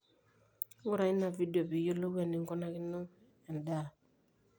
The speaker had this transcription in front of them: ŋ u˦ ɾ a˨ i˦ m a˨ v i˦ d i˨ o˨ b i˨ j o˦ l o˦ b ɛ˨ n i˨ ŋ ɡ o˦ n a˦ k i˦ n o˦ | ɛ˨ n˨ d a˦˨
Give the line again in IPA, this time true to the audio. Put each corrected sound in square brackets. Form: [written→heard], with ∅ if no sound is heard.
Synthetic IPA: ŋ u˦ ɾ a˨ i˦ [m→n] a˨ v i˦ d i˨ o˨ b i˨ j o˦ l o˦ [b→w] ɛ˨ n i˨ ŋ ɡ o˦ n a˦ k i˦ n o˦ | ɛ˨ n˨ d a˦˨